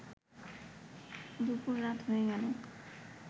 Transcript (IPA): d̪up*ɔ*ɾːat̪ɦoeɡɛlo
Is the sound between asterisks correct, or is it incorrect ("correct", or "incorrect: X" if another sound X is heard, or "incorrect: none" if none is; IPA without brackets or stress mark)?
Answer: incorrect: u